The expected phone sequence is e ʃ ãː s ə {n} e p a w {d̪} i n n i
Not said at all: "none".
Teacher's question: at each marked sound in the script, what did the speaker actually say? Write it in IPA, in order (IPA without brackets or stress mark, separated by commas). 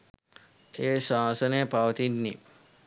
n, t̪